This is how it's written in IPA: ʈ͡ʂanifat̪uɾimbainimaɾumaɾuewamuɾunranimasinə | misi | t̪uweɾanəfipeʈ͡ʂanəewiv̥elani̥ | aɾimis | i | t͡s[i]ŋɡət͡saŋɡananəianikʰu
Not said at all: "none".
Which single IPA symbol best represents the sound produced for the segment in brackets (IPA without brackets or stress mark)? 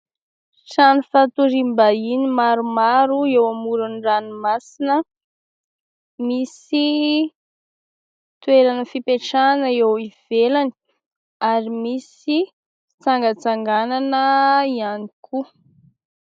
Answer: a